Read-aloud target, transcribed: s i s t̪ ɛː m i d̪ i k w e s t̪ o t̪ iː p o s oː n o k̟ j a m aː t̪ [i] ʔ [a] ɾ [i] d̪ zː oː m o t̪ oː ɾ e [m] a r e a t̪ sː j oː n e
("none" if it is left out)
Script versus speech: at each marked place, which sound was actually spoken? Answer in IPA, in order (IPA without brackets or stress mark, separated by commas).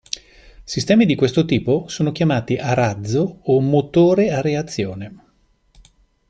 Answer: i, a, a, none